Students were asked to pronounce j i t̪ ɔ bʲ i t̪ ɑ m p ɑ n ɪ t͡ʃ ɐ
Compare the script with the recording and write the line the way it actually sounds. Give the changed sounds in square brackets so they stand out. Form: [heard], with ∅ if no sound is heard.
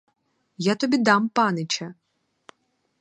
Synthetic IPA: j [a] t̪ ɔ bʲ i [d̪] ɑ m p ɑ n ɪ t͡ʃ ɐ